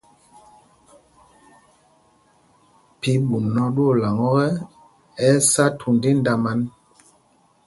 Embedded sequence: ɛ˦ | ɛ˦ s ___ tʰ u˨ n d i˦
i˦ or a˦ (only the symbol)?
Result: a˦